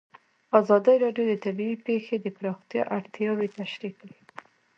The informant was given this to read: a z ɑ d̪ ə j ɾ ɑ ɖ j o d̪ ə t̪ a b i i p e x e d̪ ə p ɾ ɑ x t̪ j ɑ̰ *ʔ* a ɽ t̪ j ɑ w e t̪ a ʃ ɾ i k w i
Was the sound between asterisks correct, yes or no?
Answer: yes